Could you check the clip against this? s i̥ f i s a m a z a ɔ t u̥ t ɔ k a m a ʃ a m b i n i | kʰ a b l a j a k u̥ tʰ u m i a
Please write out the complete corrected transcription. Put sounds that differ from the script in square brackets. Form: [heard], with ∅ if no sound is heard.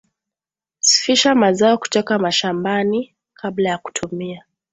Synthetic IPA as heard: s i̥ f i [ʃ] a m a z a ɔ [k] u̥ t ɔ k a m a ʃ a m b [a] n i | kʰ a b l a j a k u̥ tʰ u m i a